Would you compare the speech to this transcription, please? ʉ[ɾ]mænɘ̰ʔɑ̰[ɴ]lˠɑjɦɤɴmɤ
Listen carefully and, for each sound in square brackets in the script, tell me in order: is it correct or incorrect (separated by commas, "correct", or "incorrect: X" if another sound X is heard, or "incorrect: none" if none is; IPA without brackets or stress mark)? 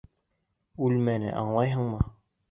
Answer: incorrect: l, correct